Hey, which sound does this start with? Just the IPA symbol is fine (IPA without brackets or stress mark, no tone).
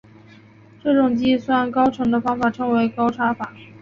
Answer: ʈ͡ʂ